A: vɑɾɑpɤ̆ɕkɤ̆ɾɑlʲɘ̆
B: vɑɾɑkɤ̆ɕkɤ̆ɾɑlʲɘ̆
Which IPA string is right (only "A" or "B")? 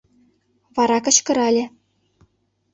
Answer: B